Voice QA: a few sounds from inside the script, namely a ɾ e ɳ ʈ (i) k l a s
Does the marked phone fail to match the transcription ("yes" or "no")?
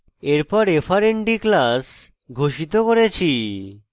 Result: no